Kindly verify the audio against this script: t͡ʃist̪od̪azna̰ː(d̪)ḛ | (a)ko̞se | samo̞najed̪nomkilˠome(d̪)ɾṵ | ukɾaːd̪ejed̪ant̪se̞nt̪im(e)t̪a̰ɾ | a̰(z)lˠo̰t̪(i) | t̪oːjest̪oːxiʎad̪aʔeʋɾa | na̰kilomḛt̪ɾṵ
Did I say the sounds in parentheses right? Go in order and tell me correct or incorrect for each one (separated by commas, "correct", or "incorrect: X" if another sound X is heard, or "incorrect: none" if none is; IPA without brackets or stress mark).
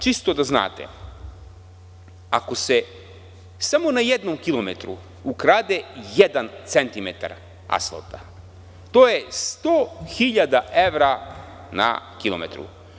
incorrect: t̪, correct, incorrect: t̪, correct, incorrect: s, incorrect: a